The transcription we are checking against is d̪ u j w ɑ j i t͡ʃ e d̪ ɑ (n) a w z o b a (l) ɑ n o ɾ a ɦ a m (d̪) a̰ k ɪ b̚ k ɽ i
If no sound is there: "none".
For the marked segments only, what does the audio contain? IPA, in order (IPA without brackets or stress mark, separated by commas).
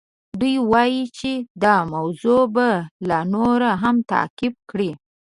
m, l, t̪